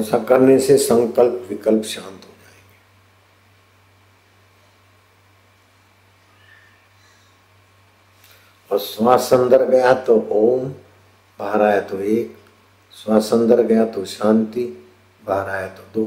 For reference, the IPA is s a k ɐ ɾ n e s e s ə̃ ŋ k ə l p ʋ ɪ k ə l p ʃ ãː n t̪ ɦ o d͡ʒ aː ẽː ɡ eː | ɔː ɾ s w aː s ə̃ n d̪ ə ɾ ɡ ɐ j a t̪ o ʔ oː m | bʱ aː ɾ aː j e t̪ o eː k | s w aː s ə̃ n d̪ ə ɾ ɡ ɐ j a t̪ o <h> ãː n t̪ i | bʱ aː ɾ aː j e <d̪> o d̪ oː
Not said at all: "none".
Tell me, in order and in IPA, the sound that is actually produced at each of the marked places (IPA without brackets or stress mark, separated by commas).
ʃ, t̪